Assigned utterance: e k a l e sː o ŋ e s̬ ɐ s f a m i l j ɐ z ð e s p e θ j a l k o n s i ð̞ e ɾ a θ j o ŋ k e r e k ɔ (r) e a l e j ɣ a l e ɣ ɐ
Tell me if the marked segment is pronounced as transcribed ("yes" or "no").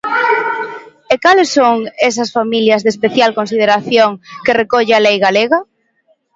no